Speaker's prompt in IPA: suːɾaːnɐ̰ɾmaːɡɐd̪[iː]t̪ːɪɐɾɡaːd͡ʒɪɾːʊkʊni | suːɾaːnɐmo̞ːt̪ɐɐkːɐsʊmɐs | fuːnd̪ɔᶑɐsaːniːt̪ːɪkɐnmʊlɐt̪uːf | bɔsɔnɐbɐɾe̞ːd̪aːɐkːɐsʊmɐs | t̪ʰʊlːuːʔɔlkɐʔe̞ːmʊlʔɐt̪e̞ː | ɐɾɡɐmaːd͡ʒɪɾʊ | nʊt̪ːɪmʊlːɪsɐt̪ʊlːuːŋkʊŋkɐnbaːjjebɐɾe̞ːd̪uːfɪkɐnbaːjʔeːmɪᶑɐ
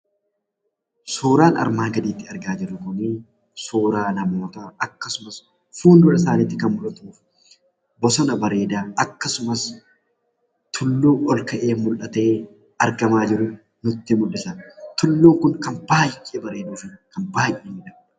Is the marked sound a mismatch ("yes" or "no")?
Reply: no